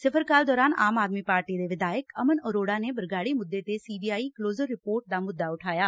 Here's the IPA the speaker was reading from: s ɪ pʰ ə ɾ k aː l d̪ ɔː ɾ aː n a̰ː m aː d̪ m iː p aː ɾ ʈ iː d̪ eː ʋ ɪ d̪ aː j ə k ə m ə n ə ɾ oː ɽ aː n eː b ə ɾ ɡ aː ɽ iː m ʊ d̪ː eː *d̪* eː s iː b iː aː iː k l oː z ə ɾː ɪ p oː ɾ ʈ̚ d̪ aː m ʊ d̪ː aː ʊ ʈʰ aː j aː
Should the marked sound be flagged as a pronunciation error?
yes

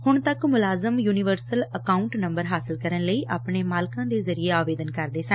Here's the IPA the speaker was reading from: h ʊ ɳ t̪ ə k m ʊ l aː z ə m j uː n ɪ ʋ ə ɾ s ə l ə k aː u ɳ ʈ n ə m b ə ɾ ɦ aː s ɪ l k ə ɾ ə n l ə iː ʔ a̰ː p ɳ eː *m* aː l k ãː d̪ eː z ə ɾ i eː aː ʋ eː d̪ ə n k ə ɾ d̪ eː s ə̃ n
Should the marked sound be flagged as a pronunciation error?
no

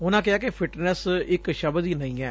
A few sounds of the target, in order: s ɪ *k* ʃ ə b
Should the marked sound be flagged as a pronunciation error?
no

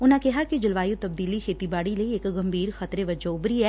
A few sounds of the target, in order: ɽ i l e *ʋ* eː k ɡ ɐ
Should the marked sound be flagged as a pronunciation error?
yes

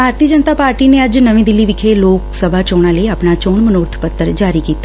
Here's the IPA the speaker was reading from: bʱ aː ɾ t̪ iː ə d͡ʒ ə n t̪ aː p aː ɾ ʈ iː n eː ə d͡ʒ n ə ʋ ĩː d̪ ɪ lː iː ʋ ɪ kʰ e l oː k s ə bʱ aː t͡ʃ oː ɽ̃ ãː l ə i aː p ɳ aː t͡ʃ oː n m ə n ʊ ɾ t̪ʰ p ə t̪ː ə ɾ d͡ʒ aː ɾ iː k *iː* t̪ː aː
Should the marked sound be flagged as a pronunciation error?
no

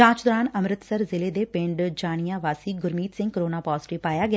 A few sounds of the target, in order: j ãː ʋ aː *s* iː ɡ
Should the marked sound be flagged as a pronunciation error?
no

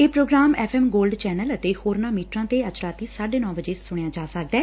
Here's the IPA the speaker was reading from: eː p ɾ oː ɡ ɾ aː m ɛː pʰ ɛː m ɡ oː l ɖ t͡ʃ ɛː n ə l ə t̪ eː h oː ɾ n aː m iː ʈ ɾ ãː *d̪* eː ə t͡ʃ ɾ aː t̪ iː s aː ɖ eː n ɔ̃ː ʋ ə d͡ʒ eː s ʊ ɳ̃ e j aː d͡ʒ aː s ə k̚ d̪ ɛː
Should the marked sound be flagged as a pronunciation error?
yes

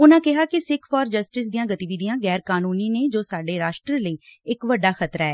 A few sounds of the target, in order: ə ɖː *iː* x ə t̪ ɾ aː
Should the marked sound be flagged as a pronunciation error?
yes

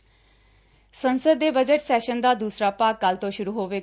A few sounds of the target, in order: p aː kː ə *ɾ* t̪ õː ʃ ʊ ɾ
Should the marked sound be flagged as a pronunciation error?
yes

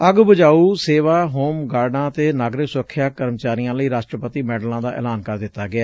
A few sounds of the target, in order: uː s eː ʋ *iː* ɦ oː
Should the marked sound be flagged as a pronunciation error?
yes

